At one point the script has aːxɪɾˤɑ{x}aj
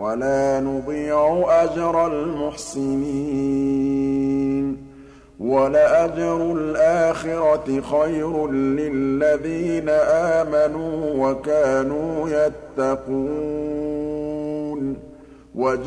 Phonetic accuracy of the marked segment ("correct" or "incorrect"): correct